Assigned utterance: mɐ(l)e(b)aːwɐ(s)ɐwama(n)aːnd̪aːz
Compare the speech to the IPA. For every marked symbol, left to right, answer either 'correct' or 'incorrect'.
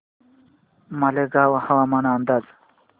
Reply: correct, incorrect: ɡ, incorrect: h, correct

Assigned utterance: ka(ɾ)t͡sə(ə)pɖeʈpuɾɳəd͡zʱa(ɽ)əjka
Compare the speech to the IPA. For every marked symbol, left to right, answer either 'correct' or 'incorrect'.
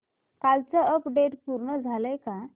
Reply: incorrect: l, correct, incorrect: l

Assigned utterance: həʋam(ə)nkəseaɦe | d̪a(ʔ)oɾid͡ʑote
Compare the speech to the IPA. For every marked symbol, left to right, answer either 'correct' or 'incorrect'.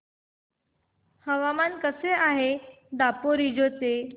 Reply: incorrect: a, incorrect: p

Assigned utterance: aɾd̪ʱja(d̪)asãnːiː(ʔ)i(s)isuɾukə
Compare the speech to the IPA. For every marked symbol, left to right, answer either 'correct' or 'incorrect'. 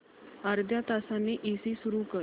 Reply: incorrect: t̪, correct, correct

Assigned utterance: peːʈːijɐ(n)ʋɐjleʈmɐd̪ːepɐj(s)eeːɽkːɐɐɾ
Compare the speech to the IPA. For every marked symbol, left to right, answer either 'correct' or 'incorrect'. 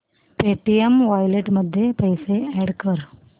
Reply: incorrect: m, correct

